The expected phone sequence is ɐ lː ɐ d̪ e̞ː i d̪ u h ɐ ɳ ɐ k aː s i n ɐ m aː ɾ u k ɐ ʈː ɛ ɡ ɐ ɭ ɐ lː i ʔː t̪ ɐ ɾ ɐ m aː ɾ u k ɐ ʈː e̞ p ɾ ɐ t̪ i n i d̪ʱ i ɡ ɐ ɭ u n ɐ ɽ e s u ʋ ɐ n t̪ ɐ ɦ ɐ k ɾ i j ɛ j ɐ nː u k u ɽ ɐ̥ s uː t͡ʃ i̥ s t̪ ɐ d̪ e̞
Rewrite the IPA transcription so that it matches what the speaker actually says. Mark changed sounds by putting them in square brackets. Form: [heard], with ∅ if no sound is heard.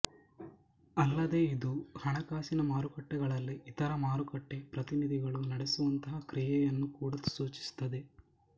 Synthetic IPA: ɐ lː ɐ d̪ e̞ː i d̪ u h ɐ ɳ ɐ k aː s i n ɐ m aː ɾ u k ɐ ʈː ɛ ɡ ɐ ɭ ɐ lː i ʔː t̪ ɐ ɾ ɐ m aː ɾ u k ɐ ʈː e̞ p ɾ ɐ t̪ i n i d̪ʱ i ɡ ɐ ɭ u n ɐ ɽ e s u ʋ ɐ n t̪ ɐ ɦ ɐ k ɾ i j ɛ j ɐ nː u k [uː] ɽ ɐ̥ s uː t͡ʃ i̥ s t̪ ɐ d̪ e̞